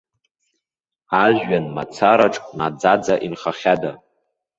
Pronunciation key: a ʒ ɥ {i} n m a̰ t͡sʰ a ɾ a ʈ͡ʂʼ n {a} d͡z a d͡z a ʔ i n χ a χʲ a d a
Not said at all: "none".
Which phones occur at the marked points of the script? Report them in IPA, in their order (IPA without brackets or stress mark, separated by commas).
a, a